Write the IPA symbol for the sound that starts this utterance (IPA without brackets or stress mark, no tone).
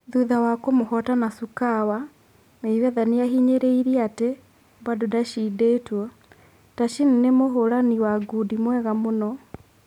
ð